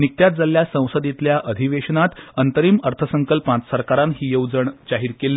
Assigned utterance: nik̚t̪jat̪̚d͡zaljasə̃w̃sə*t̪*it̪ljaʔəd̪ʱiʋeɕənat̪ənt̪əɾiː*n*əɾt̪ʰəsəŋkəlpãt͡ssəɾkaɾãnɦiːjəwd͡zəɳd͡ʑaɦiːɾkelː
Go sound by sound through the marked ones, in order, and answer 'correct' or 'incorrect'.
incorrect: d̪, incorrect: m

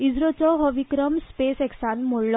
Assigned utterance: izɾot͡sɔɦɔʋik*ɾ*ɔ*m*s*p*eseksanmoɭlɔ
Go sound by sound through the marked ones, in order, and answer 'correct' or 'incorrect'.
correct, correct, correct

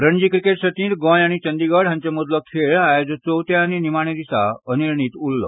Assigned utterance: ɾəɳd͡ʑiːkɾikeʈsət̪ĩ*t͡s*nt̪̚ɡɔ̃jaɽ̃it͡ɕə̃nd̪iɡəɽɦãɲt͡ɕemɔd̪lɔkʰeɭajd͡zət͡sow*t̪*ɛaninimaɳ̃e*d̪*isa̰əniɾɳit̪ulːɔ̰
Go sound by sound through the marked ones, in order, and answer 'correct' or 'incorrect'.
incorrect: none, correct, correct

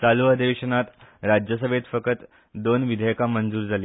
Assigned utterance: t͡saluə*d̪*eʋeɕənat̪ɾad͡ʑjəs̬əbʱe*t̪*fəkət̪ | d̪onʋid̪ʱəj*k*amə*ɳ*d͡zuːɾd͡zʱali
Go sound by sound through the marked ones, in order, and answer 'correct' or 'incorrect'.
correct, correct, correct, incorrect: n

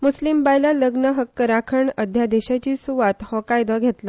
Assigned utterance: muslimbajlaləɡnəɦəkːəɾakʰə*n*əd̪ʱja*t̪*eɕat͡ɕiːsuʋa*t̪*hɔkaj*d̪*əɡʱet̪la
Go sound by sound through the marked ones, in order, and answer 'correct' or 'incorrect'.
incorrect: ɳ, incorrect: d̪, correct, correct

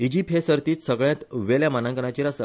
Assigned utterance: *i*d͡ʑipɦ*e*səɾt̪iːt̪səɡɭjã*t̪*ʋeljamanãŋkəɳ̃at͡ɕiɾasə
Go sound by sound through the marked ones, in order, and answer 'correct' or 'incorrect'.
correct, correct, correct

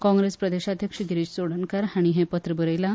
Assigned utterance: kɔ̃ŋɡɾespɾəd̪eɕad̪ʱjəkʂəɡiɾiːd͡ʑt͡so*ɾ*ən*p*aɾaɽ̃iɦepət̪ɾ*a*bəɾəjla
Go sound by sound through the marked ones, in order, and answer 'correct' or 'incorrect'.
incorrect: ɽ, incorrect: k, incorrect: ə

